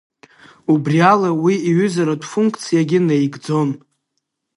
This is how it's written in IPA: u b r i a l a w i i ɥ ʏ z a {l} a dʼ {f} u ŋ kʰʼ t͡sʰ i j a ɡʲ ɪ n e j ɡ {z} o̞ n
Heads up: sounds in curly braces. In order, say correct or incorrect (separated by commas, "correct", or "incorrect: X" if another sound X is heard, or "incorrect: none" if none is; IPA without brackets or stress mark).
incorrect: ɾ, correct, incorrect: d͡z